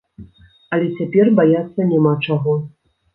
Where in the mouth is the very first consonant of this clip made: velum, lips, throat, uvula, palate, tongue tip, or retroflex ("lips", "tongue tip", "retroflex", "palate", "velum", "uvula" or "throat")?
tongue tip